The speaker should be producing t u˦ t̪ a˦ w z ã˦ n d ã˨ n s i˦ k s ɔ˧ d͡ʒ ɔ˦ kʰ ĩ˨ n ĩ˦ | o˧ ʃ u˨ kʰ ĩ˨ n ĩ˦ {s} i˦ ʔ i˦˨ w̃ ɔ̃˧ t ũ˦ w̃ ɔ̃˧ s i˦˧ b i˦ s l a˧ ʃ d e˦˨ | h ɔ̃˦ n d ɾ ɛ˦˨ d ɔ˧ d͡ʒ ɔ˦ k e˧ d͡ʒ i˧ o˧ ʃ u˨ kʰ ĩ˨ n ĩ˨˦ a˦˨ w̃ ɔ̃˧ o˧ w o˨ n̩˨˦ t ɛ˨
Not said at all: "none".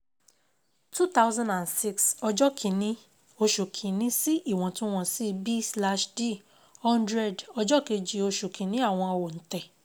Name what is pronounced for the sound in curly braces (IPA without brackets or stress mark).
s